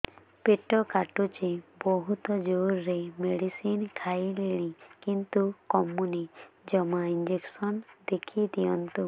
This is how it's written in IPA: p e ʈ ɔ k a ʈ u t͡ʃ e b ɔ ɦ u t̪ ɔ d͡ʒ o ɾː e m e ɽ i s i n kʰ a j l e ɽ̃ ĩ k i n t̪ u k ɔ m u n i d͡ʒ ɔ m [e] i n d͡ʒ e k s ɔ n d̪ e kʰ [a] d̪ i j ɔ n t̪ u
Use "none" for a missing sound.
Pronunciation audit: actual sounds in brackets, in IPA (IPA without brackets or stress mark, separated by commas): a, i